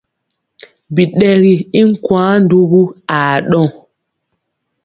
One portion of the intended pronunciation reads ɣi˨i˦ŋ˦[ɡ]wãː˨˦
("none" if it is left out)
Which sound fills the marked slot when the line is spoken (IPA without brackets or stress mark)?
k